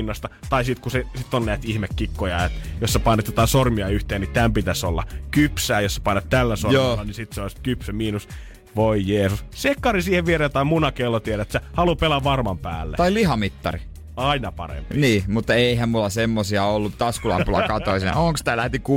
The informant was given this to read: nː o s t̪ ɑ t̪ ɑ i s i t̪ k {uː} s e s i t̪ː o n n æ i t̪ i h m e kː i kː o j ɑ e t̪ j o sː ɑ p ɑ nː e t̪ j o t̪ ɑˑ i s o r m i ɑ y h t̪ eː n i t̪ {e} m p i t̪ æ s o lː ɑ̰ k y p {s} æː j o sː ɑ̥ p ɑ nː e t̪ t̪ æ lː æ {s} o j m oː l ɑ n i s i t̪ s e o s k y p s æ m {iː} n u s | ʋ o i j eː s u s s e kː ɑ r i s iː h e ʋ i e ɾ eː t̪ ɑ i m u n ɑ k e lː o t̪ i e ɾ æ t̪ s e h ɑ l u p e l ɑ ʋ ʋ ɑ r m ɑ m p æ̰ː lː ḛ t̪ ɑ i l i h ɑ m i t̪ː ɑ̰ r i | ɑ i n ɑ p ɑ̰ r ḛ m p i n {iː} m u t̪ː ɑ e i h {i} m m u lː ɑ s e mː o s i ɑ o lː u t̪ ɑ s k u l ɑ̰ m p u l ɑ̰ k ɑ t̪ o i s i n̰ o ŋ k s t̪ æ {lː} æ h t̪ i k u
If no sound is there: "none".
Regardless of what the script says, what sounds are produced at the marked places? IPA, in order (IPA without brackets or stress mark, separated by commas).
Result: u, æ, s, s, iː, iː, æ, l